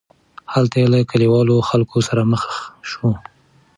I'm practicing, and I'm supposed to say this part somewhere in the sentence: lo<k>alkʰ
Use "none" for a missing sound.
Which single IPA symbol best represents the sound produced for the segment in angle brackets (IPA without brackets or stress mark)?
x